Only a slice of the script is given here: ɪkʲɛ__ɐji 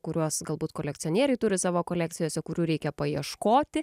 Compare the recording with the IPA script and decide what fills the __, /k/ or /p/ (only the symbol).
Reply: p